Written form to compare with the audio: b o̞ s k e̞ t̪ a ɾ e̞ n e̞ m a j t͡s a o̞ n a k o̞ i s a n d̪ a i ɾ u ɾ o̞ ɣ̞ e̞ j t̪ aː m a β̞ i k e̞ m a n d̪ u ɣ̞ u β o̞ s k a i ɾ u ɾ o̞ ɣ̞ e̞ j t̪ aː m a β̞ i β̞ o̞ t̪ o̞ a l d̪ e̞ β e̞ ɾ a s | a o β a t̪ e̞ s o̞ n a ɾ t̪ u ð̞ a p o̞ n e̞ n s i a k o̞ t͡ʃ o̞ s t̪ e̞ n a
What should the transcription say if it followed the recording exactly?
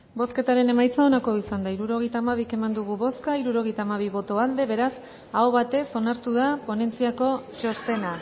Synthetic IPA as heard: b o̞ s k e̞ t̪ a ɾ e̞ n e̞ m a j t͡s a o̞ n a k o̞ i s a n d̪ a i ɾ u ɾ o̞ ɣ̞ e̞ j t̪ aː m a β̞ i k e̞ m a n d̪ u ɣ̞ u β o̞ s k a i ɾ u ɾ o̞ ɣ̞ e̞ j t̪ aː m a β̞ i β̞ o̞ t̪ o̞ a l d̪ e̞ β e̞ ɾ a s | a o β a t̪ e̞ s o̞ n a ɾ t̪ u ð̞ a p o̞ n e̞ n t͡s i a k o̞ t͡ʃ o̞ s t̪ e̞ n a